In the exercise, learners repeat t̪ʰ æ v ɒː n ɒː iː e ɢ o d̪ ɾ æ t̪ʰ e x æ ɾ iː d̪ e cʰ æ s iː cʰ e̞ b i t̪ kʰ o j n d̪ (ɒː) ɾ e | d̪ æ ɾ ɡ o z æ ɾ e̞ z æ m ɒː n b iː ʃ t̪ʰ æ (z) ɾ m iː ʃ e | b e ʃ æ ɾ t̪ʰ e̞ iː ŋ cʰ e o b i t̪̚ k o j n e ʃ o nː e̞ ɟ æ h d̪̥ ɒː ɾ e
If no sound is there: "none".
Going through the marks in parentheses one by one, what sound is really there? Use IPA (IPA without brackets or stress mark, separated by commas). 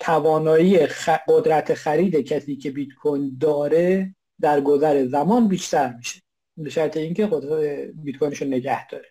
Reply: ɒː, none